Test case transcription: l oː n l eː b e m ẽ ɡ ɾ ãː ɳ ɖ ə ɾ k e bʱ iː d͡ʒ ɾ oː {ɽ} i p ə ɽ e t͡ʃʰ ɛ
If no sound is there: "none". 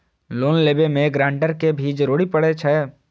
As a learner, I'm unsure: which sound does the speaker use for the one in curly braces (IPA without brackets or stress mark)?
ɽ